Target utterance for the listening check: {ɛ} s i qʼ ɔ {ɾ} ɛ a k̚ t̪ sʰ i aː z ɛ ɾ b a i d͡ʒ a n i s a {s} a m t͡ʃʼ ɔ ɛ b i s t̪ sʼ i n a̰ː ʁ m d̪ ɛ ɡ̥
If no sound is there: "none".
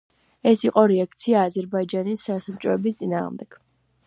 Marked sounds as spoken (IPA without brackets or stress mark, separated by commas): ɛ, ɾ, s